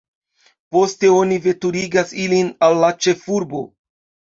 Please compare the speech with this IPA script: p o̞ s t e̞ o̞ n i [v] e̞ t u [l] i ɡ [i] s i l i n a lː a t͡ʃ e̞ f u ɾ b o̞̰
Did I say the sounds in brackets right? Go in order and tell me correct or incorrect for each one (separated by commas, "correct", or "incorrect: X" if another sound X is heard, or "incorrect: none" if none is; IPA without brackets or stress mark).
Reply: correct, incorrect: ɾ, incorrect: a